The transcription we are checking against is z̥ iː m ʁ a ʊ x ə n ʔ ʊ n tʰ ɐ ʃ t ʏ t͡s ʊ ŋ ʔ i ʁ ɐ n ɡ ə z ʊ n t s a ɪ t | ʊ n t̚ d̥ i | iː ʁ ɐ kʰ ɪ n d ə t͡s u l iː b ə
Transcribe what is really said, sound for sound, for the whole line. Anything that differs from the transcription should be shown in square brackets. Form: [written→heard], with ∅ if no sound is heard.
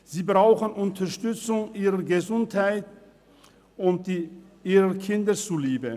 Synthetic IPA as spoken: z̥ iː [m→b] ʁ a ʊ x ə n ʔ ʊ n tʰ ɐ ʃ t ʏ t͡s ʊ ŋ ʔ [i→iː] ʁ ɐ [n→∅] ɡ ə z ʊ n t [s→h] a ɪ t | ʊ n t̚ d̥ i | iː ʁ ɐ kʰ ɪ n d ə t͡s u l iː b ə